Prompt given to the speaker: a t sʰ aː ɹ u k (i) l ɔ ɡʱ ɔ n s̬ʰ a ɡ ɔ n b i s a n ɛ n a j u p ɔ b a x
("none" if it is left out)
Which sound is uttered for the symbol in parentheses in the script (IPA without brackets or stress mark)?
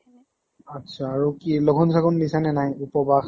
i